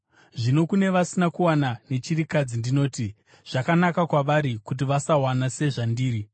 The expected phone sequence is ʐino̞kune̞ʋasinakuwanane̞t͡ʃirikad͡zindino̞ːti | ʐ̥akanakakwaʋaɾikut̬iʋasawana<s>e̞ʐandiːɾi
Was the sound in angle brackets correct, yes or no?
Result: yes